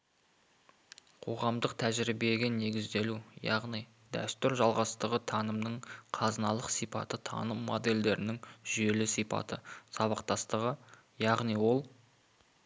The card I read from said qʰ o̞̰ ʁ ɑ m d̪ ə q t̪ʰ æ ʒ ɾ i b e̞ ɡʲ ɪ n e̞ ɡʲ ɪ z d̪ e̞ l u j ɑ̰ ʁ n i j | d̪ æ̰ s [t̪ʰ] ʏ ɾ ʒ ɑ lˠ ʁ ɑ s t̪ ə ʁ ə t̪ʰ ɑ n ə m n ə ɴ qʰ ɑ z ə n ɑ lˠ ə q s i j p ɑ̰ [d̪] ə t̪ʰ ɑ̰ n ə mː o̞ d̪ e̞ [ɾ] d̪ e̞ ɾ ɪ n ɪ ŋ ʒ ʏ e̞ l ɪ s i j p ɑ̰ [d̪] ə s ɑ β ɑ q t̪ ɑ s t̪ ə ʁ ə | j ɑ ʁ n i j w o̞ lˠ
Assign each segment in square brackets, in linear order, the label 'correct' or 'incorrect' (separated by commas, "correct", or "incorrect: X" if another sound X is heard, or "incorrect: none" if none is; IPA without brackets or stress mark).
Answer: incorrect: t̪, incorrect: t̪, incorrect: l, incorrect: t̪